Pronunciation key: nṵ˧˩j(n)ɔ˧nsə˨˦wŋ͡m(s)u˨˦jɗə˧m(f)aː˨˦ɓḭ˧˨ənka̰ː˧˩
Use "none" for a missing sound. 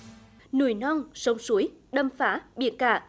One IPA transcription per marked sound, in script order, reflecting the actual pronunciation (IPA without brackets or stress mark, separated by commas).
n, s, f